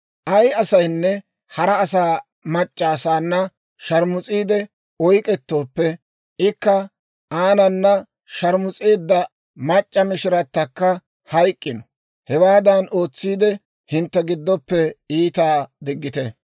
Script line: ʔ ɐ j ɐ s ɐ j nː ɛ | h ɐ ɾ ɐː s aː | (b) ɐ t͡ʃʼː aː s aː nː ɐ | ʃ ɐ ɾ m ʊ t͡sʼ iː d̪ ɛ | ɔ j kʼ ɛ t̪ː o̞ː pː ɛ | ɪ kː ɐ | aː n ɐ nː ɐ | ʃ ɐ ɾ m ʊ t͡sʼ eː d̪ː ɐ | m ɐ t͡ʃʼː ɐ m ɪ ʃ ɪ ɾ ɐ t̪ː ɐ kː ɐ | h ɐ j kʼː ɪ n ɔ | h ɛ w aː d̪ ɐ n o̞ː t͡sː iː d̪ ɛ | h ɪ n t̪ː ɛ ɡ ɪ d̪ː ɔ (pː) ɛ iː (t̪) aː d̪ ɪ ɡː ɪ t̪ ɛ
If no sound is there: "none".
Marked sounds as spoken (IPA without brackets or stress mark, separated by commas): m, pː, t̪